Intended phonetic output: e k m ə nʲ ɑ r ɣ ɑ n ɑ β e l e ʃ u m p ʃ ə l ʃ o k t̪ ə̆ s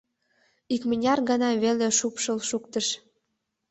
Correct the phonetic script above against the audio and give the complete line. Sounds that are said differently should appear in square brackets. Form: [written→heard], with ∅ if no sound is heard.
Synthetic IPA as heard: [e→i] k m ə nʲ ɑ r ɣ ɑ n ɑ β e l e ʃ u [m→∅] p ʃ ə l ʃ [o→u] k t̪ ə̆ [s→ʃ]